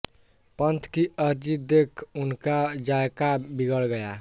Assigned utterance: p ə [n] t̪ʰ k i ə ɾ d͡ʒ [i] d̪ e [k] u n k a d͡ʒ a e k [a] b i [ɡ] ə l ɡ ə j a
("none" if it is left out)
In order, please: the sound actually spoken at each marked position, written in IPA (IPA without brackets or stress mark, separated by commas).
n, i, kʰ, a, ɡ